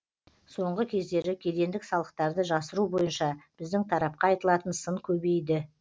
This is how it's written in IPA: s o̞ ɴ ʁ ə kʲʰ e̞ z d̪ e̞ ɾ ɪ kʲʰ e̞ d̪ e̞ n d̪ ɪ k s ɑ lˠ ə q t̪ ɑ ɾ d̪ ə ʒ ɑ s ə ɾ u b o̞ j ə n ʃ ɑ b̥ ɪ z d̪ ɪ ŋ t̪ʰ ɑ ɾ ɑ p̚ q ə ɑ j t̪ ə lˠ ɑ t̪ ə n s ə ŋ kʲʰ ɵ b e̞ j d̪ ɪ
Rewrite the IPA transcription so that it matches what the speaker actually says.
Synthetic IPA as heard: s o̞ ɴ ʁ ə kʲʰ e̞ z d̪ e̞ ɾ ɪ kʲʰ e̞ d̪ e̞ n d̪ ɪ k s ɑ lˠ ə q t̪ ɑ ɾ d̪ ə ʒ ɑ s ə ɾ u b o̞ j ə n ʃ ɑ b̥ ɪ z d̪ ɪ ŋ t̪ʰ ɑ ɾ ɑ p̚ q ɑ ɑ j t̪ ə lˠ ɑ t̪ ə n s ə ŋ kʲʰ ɵ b e̞ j d̪ ɪ

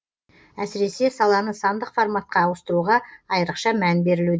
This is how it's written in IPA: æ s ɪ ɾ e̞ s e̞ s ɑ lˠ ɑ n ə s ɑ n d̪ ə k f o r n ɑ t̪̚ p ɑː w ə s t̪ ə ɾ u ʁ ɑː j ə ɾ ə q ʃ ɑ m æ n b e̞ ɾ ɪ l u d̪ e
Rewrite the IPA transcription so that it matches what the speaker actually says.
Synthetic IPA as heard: æ s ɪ ɾ e̞ s e̞ s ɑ lˠ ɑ n ə s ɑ n d̪ ə q f o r m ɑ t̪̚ q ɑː w ə s t̪ ə ɾ u ʁ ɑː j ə ɾ ə q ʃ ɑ m æ n b e̞ ɾ ɪ l u d̪ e

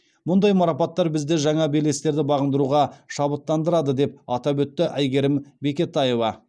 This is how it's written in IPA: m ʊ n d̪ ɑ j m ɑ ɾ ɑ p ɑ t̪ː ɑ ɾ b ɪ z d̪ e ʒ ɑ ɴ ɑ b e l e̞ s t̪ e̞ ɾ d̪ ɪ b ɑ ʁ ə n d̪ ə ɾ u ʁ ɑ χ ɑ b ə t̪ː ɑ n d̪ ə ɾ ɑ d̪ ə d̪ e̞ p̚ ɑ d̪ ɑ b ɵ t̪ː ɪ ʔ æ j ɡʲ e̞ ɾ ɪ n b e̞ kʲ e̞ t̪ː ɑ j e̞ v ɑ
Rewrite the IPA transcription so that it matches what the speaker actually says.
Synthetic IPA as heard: m ʊ n d̪ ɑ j m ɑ ɾ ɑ p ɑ t̪ː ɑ ɾ b ɪ z d̪ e ʒ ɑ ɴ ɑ b e l e̞ s t̪ e̞ ɾ d̪ ɪ b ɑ ʁ ə n d̪ ə ɾ u ʁ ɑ ʃ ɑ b ə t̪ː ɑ n d̪ ə ɾ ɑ d̪ ə d̪ e̞ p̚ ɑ t̪ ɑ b ɵ t̪ː ɪ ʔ æ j ɡʲ e̞ ɾ ɪ m b e̞ kʲ e̞ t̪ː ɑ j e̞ v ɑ

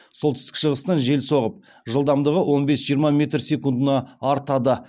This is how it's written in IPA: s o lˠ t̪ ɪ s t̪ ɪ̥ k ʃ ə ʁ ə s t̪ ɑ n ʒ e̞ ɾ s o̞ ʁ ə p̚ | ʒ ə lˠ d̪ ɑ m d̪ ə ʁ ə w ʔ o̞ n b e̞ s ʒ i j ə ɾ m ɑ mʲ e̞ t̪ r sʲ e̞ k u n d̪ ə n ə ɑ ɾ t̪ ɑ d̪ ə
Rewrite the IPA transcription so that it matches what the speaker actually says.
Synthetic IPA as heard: s o lˠ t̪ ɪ s t̪ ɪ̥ k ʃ ə ʁ ə s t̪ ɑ n ʒ e̞ l s o̞ ʁ ə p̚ | ʒ ə lˠ d̪ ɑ m d̪ ə ʁ ə w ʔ o̞ n b e̞ s ʒ i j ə ɾ m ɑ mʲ e̞ t̪ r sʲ e̞ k u n d̪ ə n ɑ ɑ ɾ t̪ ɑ d̪ ə

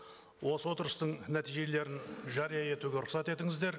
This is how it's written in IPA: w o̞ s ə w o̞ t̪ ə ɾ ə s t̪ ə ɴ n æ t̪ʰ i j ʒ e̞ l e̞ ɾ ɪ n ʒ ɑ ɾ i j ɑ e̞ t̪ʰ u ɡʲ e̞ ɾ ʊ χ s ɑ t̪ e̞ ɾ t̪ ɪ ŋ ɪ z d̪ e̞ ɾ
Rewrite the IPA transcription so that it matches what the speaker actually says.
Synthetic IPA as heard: w o̞ s ə w o̞ t̪ ə ɾ ə s t̪ ə ɴ n æ t̪ i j ʒ e̞ l e̞ ɾ ɪ n ʒ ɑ ɾ i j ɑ e̞ t̪ u ɡʲ e̞ ɾ ʊ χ s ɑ t̪ e̞ t̪ ɪ ŋ ɪ z d̪ e̞ ɾ

